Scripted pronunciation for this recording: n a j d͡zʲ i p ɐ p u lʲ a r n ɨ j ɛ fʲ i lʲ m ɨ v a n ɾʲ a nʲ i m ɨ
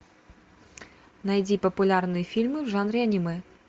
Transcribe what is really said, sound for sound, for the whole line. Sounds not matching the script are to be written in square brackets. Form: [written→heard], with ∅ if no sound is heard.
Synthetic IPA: n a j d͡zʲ i p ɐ p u lʲ a r n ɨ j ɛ fʲ i lʲ m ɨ [v→ʐ] a n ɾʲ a nʲ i m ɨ